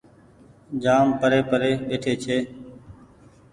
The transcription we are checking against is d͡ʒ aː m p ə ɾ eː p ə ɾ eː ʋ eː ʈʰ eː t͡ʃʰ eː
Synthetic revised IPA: d͡ʒ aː m p ə ɾ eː p ə ɾ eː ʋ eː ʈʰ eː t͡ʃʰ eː